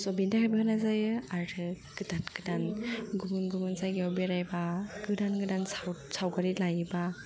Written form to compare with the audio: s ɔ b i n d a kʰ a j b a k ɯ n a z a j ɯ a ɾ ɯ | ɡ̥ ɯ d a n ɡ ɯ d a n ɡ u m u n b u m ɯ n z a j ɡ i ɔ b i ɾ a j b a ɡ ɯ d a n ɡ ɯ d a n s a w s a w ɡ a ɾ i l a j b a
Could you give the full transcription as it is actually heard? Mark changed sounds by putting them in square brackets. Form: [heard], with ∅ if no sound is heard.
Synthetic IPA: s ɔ b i n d a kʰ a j b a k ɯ n a z a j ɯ a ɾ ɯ | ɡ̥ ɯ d a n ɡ ɯ d a n ɡ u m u n [ɡ] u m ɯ n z a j ɡ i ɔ b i ɾ a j b a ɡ ɯ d a n ɡ ɯ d a n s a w s a w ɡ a ɾ i l a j b a